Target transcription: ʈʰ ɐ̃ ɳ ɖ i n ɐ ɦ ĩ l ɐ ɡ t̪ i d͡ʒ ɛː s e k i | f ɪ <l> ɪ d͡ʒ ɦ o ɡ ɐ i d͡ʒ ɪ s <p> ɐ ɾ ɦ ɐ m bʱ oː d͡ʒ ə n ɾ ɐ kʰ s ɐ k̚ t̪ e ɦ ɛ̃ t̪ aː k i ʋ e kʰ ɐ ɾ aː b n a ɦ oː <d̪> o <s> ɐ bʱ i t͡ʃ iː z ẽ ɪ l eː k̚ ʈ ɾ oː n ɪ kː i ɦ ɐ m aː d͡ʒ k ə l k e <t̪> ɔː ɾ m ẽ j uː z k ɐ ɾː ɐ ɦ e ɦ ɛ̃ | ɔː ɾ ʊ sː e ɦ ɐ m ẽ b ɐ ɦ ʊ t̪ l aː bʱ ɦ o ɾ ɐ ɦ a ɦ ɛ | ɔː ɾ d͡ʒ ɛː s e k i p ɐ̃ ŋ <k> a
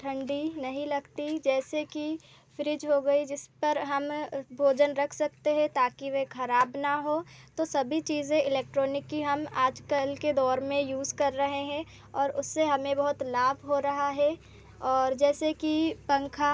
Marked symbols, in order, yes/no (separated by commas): no, yes, no, yes, no, no